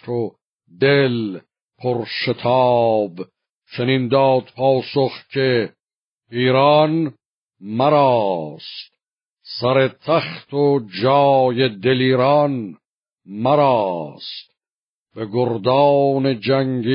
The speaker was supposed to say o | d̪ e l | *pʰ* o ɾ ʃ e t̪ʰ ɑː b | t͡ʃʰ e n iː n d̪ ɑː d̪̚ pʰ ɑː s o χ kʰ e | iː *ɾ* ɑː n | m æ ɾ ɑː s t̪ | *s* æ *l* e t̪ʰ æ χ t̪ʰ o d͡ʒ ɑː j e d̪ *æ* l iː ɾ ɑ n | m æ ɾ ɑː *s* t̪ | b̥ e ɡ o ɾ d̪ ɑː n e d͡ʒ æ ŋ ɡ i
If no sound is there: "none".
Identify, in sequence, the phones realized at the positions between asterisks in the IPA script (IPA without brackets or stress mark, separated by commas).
pʰ, ɾ, s, ɾ, e, s